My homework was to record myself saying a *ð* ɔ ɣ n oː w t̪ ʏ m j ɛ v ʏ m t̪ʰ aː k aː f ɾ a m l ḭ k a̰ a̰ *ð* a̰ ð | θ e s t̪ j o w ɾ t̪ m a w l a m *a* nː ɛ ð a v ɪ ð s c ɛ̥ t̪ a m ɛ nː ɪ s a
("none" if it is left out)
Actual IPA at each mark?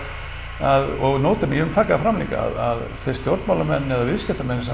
ð, ð, ɛ

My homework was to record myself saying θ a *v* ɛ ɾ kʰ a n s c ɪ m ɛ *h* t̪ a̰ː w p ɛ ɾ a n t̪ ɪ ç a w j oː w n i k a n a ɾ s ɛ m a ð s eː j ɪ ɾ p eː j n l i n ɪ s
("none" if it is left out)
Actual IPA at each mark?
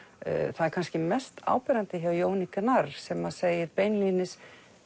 ð, s

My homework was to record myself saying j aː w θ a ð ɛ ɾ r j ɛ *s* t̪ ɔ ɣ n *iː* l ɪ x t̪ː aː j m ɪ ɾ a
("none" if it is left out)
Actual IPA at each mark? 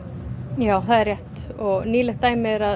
h, iː

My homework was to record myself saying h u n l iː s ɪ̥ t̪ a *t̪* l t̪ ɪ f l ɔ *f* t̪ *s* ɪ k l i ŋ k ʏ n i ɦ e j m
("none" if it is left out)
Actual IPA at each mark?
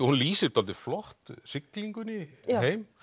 none, h, s

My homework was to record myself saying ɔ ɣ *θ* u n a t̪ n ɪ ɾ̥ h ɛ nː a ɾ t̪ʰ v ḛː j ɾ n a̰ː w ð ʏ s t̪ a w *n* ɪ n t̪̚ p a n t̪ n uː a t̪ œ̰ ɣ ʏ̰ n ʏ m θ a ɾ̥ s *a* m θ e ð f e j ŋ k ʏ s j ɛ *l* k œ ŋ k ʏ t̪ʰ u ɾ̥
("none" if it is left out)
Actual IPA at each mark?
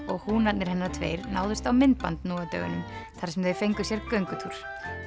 h, m, ɛ, ɾ

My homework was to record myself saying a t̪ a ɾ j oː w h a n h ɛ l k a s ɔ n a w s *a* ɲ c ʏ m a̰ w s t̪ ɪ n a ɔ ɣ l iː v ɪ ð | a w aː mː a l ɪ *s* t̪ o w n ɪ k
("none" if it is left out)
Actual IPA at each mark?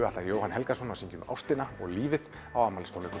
i, s

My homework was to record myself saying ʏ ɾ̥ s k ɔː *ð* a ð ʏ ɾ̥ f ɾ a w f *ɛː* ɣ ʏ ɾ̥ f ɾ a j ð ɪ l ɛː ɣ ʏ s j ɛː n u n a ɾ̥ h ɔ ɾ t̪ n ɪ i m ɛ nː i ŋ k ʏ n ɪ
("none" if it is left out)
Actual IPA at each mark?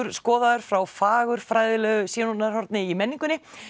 ð, aː

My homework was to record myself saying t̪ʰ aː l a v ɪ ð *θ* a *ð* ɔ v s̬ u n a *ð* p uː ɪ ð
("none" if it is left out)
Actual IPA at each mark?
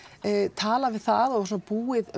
θ, ð, none

